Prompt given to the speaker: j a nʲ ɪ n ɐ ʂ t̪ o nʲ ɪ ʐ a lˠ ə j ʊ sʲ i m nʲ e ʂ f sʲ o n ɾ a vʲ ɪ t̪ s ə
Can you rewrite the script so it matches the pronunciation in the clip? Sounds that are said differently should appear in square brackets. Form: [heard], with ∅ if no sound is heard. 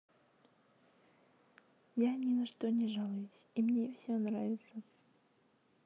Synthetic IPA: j a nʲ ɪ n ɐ ʂ t̪ o nʲ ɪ ʐ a lˠ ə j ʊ sʲ i m nʲ e [∅] f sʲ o n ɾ a vʲ ɪ t̪ s ə